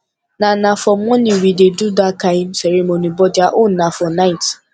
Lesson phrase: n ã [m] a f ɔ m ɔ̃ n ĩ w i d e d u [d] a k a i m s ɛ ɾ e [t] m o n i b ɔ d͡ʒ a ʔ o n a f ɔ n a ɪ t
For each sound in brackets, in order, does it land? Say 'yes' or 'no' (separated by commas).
no, yes, no